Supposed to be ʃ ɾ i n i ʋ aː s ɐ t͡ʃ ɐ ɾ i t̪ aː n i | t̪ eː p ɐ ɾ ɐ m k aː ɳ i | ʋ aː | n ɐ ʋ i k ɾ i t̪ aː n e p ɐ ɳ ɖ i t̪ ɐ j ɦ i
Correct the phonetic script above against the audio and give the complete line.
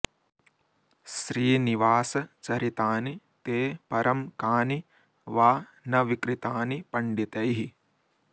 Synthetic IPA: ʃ ɾ iː n i ʋ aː s ɐ t͡ʃ ɐ ɾ i t̪ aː n i | t̪ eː p ɐ ɾ ɐ m k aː n i | ʋ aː | n ɐ ʋ i k ɾ i t̪ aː n i p ɐ ɳ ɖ i t̪ ɐ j ɦ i

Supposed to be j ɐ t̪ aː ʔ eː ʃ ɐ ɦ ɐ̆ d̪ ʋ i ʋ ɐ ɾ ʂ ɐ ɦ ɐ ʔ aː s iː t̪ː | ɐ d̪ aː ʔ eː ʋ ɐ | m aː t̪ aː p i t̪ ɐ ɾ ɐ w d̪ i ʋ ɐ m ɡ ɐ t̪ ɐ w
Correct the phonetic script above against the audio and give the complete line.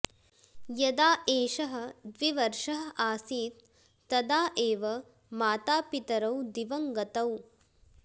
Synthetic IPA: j ɐ d̪ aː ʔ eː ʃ ɐ ɦ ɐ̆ d̪ ʋ i ʋ ɐ ɾ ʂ ɐ ɦ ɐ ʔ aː s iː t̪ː | ɐ d̪ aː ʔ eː ʋ ɐ | m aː t̪ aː p i t̪ ɐ ɾ ɐ w d̪ i ʋ ɐ ŋ ɡ ɐ t̪ ɐ w

